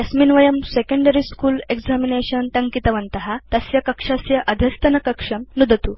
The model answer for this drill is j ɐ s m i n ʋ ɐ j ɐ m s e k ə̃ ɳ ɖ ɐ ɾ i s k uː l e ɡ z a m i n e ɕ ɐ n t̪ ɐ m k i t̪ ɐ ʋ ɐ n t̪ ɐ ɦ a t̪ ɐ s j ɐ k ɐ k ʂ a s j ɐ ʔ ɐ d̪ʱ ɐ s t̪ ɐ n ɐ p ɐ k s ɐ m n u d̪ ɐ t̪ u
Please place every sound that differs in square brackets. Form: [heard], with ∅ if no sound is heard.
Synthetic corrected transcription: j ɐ s m i n ʋ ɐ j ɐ m s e k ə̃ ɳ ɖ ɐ ɾ i s k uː l e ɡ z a m i n e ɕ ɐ n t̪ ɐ [ŋ] k i t̪ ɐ ʋ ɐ n t̪ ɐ ɦ a t̪ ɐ s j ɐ k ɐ k ʂ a s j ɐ ʔ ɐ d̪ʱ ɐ s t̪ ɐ n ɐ [k] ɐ k [ʂ] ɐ m n u d̪ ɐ t̪ u